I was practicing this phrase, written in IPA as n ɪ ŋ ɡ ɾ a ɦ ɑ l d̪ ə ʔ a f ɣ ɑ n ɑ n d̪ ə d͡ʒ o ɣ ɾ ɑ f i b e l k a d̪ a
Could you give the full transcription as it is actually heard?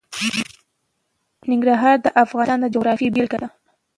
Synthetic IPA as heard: n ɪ ŋ ɡ ɾ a ɦ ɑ ɾ d̪ ə ʔ a f ɣ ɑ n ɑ n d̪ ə d͡ʒ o ɣ ɾ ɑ f i b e l k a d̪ a